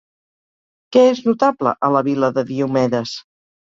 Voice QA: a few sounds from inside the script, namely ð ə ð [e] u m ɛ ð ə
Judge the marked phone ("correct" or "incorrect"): incorrect